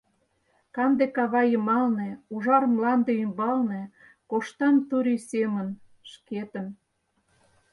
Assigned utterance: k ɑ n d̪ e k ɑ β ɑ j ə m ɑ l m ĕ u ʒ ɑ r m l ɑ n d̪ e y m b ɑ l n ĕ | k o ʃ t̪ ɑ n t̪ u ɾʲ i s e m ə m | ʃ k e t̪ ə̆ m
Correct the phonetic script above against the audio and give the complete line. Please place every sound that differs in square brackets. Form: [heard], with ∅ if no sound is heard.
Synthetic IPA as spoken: k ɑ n d̪ e k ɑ β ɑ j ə m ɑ l [n] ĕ u ʒ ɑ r m l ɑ n d̪ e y m b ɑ l n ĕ | k o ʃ t̪ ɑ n t̪ u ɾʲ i s e m ə [n] | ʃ k e t̪ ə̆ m